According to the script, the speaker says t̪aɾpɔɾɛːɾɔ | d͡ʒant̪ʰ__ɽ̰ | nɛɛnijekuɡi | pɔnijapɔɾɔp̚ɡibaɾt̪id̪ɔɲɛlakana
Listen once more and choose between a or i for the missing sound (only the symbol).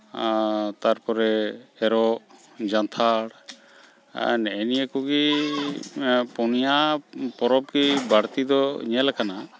a